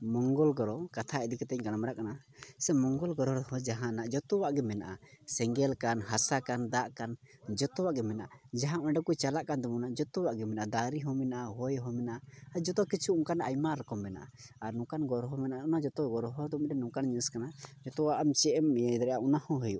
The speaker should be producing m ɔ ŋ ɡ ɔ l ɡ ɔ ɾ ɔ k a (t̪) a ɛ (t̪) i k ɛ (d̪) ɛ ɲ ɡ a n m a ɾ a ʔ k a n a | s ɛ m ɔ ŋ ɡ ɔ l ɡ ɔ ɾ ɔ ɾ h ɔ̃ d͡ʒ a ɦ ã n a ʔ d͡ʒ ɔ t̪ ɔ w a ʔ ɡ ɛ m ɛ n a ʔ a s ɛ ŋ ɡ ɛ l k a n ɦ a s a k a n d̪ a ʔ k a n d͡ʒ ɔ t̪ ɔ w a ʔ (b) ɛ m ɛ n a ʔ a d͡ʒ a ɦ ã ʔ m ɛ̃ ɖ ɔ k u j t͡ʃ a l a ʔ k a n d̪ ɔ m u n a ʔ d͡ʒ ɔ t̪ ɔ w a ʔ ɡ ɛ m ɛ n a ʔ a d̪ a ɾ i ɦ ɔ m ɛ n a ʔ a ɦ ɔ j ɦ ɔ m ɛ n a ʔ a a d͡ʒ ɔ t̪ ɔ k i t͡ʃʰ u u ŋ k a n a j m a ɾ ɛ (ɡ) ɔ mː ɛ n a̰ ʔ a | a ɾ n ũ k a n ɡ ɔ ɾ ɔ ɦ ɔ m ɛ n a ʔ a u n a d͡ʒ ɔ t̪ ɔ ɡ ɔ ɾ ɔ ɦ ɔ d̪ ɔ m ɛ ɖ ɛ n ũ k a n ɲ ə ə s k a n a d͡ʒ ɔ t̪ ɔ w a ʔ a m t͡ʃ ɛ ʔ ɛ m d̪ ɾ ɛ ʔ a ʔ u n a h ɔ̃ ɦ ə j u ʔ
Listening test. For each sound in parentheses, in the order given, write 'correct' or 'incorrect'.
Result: incorrect: t̪ʰ, incorrect: d̪, incorrect: t̪, incorrect: ɡ, incorrect: k

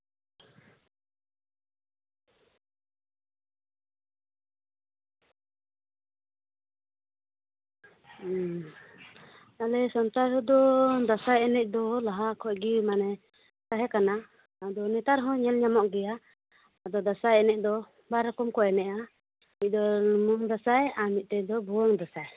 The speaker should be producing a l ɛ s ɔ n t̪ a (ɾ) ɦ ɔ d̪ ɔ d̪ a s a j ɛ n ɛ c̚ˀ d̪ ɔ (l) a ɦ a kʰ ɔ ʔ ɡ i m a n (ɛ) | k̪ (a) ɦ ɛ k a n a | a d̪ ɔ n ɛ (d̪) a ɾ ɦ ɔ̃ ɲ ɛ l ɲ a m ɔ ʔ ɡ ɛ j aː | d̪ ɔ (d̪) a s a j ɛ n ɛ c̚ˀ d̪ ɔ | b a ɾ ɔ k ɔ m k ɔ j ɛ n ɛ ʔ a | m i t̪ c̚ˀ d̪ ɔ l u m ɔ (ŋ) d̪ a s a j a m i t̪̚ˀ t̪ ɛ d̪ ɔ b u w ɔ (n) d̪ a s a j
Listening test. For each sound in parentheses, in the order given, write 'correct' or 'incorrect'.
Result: correct, correct, correct, correct, incorrect: t̪, correct, correct, incorrect: ŋ

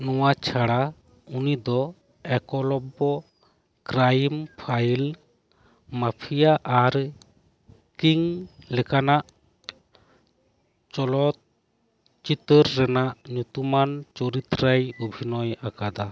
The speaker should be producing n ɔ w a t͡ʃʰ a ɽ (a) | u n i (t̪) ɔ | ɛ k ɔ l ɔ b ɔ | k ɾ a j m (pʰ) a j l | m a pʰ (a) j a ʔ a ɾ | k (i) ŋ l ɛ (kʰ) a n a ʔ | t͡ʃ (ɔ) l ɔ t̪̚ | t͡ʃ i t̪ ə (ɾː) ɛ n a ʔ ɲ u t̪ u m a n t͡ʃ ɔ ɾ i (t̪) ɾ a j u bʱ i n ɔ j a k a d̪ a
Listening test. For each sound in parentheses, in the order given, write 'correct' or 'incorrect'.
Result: correct, incorrect: d̪, correct, incorrect: i, correct, incorrect: k, correct, correct, correct

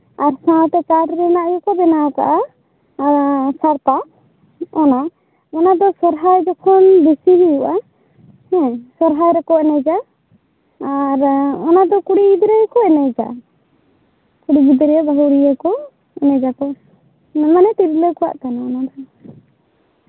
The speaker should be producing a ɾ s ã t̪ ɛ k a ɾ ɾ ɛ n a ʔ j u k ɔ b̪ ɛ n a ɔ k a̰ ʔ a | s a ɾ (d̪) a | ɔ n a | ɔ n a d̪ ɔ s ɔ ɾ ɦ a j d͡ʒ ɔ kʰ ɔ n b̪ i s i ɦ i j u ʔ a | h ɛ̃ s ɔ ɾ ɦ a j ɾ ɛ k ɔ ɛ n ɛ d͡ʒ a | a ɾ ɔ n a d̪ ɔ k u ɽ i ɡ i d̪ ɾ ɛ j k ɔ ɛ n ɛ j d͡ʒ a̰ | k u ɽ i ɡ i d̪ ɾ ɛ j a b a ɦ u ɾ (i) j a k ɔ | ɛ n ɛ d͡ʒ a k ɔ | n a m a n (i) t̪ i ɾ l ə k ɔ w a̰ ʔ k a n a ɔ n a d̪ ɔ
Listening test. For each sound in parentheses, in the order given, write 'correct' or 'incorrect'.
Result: incorrect: t̪, correct, incorrect: ɛ

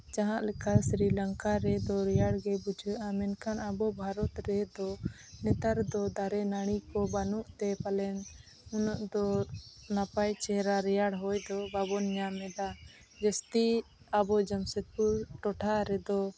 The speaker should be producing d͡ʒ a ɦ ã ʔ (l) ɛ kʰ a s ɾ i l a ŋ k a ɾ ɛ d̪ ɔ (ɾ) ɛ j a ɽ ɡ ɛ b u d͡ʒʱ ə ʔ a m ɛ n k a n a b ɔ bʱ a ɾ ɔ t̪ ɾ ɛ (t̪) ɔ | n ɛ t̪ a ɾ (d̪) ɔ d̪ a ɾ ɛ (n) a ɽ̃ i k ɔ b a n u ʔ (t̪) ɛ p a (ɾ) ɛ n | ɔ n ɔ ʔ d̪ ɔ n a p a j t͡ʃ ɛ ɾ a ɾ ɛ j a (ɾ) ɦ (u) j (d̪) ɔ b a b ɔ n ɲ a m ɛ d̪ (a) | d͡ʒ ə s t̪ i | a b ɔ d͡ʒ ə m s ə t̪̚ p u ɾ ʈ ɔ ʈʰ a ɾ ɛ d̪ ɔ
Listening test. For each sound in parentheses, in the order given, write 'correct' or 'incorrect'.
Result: correct, correct, incorrect: d̪, correct, correct, correct, incorrect: l, incorrect: ɽ, incorrect: ɔ, correct, correct

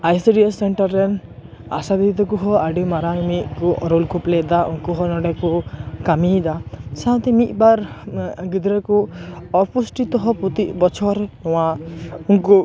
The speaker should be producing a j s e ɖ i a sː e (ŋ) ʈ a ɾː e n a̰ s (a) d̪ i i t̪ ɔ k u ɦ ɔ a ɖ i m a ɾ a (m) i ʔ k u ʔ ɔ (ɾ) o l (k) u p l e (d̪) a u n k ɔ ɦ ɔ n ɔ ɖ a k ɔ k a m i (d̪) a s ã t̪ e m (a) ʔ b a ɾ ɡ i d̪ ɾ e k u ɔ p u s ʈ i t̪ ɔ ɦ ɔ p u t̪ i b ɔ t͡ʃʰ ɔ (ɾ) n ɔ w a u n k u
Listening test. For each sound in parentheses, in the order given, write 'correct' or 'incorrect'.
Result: incorrect: ɳ, correct, correct, correct, correct, correct, correct, incorrect: i, correct

